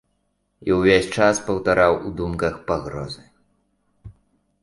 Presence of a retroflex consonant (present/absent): present